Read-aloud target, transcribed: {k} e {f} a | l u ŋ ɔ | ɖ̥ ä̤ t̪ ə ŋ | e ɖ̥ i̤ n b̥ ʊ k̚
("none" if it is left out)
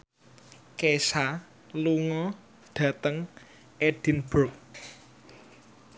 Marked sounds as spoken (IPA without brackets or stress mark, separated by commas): k, s